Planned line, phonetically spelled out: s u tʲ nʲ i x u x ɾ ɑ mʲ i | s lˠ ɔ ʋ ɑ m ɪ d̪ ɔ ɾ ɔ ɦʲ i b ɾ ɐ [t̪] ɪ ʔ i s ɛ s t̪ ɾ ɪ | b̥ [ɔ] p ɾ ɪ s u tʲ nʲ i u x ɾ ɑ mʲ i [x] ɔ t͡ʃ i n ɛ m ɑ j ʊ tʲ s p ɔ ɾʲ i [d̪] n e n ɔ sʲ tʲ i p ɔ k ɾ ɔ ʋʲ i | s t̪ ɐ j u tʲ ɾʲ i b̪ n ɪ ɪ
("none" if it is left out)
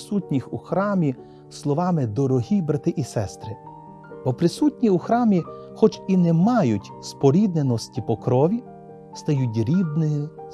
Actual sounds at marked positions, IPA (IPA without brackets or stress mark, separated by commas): t̪, ɔ, x, d̪